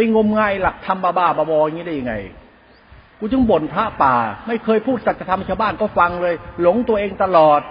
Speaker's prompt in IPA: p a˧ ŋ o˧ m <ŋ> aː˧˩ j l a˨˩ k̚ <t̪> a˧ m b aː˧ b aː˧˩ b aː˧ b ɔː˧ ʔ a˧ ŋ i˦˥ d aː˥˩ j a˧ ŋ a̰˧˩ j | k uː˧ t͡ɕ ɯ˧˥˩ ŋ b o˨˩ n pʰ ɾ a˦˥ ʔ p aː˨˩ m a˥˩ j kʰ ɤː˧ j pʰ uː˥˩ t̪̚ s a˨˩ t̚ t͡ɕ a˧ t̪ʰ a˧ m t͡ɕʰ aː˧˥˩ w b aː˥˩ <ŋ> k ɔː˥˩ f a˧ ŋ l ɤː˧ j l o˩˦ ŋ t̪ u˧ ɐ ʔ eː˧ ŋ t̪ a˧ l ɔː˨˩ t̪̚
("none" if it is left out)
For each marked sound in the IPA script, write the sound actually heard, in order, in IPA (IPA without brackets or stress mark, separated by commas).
ŋ, t̪ʰ, n